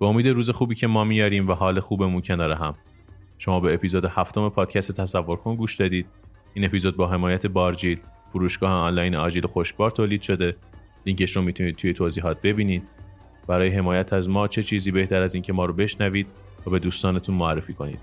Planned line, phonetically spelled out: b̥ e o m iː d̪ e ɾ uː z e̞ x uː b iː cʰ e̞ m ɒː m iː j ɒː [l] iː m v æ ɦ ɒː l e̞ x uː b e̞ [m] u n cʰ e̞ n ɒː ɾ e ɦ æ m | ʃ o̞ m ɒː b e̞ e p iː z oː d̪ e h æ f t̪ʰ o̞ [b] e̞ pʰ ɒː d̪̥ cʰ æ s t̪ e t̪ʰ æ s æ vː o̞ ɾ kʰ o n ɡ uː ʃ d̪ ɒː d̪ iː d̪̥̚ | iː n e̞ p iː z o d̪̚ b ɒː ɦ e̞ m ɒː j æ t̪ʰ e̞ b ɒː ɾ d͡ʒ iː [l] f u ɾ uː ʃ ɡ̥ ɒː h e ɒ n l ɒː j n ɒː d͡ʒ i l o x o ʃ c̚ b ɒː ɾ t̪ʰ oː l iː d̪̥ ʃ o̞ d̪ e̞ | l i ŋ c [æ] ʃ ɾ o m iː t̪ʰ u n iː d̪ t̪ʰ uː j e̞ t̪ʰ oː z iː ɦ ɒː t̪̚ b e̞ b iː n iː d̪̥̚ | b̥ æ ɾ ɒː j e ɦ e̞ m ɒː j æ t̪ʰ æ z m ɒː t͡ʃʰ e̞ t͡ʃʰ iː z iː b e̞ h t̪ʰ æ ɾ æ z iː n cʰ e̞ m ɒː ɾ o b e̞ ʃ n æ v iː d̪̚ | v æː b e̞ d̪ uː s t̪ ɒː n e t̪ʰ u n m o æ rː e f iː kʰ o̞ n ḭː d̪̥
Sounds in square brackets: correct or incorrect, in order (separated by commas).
incorrect, correct, incorrect, correct, incorrect